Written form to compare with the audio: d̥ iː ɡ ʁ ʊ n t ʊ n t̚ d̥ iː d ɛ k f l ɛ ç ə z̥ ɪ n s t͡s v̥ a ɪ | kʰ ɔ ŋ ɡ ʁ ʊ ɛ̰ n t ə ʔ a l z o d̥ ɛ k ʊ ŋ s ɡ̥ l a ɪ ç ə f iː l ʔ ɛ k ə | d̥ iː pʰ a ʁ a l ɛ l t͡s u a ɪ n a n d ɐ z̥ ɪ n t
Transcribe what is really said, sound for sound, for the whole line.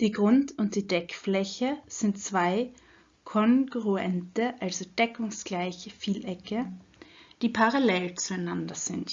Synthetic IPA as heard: d̥ iː ɡ ʁ ʊ n t ʊ n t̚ d̥ iː d ɛ k f l ɛ ç ə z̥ ɪ n t t͡s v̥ a ɪ | kʰ ɔ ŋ ɡ ʁ u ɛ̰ n t ə ʔ a l z o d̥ ɛ k ʊ ŋ s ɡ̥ l a ɪ ç ə f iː l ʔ ɛ k ə | d̥ iː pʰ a ʁ a l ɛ l t͡s u a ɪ n a n d ɐ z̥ ɪ n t